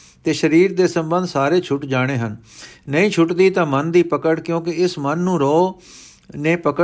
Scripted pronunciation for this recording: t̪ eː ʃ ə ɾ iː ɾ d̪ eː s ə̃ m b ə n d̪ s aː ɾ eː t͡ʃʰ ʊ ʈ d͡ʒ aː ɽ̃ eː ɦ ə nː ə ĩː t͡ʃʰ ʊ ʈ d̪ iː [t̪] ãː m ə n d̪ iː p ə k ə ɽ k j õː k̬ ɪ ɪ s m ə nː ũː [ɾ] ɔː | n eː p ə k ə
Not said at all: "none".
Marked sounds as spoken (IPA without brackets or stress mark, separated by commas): t̪, ɾ